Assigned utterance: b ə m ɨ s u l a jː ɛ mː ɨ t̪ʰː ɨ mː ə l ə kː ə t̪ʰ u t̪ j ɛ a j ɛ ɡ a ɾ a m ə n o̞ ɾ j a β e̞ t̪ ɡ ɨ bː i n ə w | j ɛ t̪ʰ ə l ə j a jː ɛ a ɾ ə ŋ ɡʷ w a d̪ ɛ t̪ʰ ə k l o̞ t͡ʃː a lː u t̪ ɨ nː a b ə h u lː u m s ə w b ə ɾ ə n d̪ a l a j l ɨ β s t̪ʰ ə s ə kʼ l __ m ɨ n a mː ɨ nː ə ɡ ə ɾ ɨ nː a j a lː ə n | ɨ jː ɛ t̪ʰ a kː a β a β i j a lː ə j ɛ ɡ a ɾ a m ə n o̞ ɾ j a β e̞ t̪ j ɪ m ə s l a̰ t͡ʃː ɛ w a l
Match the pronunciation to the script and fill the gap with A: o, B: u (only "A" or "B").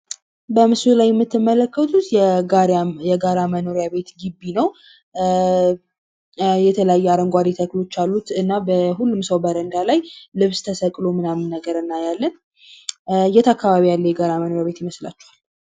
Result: A